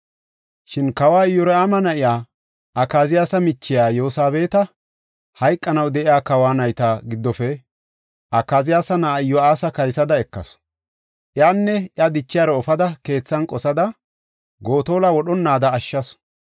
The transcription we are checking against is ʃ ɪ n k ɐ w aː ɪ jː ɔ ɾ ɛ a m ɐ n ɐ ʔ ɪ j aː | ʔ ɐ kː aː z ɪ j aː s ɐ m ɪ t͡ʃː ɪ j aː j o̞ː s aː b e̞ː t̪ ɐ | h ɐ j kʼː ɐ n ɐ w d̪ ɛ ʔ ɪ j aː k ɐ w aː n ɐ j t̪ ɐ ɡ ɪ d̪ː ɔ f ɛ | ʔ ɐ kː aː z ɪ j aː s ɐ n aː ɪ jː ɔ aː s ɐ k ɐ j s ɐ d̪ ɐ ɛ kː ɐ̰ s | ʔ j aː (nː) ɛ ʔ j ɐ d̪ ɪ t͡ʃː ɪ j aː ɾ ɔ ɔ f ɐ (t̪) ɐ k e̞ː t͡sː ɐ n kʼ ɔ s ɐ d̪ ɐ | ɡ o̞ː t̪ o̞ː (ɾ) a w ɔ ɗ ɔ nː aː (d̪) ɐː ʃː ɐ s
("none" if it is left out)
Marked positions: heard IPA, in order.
nː, d̪, l, d̪

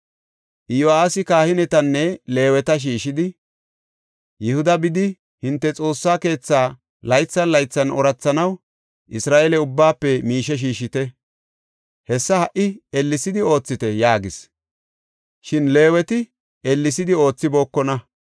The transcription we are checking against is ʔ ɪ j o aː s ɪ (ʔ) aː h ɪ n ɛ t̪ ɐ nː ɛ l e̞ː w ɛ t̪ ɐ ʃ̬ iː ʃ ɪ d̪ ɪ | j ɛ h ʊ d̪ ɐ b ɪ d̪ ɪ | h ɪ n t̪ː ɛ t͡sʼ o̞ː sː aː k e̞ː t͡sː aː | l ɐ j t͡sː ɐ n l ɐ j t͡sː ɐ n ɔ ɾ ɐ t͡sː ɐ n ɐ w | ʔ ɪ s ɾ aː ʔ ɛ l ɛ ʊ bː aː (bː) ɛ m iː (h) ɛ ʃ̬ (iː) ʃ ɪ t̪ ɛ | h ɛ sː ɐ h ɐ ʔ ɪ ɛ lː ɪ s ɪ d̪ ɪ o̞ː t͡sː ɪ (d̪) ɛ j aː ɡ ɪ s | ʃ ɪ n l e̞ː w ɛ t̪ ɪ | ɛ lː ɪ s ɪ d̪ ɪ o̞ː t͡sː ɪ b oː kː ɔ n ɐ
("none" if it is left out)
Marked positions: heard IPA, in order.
k, pː, ʃ, iː, t̪

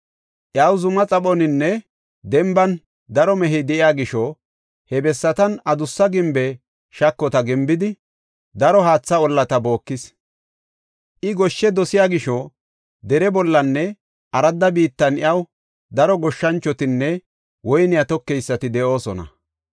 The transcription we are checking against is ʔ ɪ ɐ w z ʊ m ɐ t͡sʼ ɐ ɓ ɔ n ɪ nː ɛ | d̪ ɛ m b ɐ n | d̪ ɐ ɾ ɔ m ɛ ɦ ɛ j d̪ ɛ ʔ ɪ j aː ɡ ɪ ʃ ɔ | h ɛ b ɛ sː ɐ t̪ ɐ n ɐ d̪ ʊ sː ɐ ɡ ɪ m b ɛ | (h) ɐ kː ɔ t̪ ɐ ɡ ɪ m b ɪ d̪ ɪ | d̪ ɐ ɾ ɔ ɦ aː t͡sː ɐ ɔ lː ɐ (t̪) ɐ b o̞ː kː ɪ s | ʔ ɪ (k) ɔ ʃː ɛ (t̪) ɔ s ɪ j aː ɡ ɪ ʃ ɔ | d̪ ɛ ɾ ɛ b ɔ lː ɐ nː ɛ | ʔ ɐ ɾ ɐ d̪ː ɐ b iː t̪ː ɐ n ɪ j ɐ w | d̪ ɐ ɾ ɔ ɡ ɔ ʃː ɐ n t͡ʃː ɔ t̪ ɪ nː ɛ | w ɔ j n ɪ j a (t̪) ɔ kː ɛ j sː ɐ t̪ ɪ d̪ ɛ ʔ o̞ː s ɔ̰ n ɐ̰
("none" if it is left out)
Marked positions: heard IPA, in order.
ʃ, t̪, ɡ, d̪, t̪

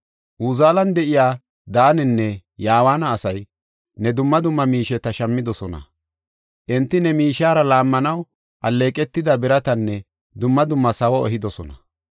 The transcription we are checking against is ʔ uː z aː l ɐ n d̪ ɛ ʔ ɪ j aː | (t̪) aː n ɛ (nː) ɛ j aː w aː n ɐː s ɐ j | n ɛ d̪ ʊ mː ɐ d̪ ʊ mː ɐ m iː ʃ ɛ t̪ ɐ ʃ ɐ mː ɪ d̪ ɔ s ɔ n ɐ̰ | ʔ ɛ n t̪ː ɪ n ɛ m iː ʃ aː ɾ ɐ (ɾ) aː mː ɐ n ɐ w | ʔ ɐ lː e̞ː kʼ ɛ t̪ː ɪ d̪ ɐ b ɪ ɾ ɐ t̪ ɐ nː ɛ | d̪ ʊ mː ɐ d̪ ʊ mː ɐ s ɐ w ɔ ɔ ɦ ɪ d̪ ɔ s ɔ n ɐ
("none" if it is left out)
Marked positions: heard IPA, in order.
d̪, nː, l

